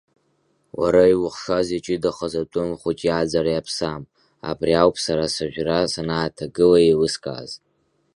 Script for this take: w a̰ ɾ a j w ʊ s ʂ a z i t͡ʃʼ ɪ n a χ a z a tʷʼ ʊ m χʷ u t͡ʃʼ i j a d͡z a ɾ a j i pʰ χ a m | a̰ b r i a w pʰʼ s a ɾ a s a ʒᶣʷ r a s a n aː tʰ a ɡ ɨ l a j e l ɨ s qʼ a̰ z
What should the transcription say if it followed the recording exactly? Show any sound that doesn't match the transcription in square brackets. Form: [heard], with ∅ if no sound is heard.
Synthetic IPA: w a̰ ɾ a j w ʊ [χ] ʂ a z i t͡ʃʼ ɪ [d] a χ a z a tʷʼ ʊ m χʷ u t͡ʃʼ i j a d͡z a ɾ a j [a] pʰ [s] a m | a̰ b r i a w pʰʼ s a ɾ a s a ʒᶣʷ r a s a n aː tʰ a ɡ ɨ l a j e l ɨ s [kʼ] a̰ z